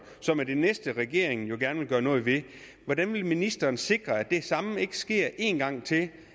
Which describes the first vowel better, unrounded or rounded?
rounded